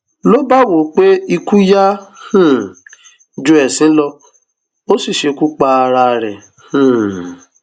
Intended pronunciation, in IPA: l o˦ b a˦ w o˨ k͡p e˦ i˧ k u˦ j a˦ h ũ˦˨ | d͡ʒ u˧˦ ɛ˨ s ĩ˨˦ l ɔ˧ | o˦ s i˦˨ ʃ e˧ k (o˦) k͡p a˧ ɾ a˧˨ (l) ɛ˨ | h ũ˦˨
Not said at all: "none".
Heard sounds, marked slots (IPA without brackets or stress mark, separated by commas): u˦, ɾ